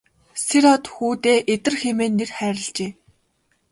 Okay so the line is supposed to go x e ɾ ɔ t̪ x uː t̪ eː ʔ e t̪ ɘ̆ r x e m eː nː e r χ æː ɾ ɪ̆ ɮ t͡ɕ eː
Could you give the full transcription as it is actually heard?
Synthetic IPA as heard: s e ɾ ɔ t̪ x uː t̪ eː ʔ e t̪ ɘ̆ r x e m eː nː e r χ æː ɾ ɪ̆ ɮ t͡ɕ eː